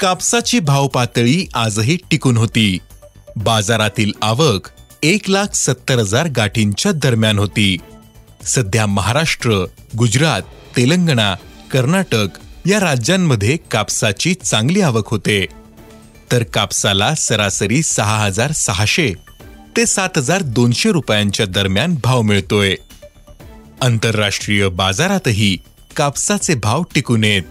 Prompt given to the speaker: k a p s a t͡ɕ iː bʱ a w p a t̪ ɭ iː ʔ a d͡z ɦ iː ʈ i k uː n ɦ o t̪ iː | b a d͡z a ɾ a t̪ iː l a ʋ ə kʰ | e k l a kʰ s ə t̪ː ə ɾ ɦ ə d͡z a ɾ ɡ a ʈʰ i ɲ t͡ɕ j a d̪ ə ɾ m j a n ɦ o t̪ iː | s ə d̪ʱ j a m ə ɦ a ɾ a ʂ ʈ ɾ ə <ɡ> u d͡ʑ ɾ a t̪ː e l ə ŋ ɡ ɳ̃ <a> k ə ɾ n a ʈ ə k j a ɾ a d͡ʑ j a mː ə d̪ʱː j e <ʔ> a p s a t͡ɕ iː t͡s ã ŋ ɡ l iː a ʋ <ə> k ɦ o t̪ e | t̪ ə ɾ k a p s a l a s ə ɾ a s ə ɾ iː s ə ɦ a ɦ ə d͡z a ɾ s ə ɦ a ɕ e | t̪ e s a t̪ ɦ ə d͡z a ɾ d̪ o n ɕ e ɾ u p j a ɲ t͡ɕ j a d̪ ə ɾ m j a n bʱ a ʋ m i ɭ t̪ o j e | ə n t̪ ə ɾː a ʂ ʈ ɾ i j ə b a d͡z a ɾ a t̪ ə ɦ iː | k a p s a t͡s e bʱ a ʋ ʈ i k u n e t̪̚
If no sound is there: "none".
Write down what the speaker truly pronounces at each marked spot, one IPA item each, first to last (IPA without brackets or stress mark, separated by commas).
ɡ, a, k, ə